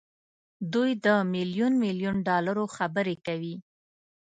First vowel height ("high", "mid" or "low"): high